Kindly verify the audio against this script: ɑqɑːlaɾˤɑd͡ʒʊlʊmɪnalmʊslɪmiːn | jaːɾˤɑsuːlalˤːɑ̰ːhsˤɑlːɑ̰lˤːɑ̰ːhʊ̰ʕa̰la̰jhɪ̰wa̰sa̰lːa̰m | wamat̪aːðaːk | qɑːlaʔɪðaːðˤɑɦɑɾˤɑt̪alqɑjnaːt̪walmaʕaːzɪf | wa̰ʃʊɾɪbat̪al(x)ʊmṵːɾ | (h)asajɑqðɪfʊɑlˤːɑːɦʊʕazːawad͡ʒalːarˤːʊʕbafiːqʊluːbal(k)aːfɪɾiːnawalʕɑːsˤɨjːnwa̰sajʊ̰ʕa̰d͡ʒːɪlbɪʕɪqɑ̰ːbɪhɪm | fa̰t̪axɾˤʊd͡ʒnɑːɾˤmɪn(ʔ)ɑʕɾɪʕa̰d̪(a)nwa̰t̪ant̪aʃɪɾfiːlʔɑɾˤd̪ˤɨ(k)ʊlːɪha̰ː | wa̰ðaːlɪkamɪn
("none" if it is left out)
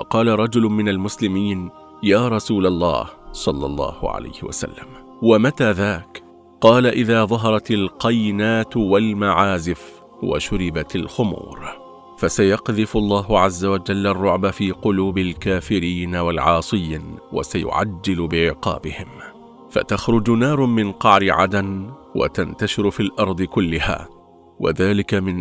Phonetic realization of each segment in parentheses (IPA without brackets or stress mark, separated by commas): x, f, k, q, a, k